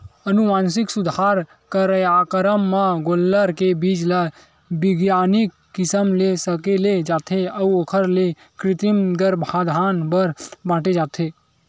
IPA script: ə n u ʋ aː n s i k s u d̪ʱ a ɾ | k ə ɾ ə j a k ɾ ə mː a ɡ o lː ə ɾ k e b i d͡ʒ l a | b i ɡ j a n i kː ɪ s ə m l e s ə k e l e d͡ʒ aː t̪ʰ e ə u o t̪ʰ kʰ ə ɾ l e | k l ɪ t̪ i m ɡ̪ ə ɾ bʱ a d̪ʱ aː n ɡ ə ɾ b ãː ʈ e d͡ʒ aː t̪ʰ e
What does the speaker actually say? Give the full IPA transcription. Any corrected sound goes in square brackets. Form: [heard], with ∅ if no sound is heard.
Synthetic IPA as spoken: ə n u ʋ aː n s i k s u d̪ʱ a ɾ | k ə ɾ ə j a k ɾ ə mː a ɡ o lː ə ɾ k e b i d͡ʒ l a | b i ɡ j a n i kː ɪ s ə m l e s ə k e l e d͡ʒ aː t̪ʰ e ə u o [∅] kʰ ə ɾ l e | k [ɾ] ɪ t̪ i m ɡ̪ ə ɾ bʱ a d̪ʱ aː n [b] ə ɾ b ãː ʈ e d͡ʒ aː t̪ʰ e